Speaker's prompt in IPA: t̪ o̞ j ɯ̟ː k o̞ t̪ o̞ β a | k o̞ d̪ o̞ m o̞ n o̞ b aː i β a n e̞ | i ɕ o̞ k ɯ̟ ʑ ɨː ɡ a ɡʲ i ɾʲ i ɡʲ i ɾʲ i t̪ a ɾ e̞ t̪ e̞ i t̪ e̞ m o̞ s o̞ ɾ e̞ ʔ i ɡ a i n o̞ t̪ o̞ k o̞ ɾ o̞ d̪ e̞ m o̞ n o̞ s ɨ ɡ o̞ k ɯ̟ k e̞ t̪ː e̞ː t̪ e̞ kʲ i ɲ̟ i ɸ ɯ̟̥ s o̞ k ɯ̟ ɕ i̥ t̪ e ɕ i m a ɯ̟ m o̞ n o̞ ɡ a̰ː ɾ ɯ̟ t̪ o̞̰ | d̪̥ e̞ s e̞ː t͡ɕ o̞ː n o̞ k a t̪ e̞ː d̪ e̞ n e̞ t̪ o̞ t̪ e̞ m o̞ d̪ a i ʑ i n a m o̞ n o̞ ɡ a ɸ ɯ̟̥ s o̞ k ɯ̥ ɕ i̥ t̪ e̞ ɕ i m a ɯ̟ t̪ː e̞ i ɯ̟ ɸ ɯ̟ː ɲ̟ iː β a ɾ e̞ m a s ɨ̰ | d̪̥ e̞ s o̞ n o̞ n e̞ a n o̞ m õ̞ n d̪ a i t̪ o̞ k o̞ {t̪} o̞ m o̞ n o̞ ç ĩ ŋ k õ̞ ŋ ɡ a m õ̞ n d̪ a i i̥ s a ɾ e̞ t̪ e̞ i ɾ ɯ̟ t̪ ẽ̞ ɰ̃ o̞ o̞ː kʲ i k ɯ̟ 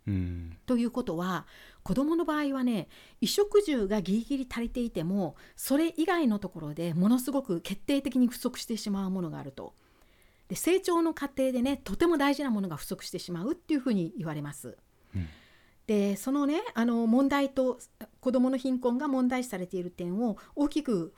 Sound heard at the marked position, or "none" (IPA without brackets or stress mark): d̪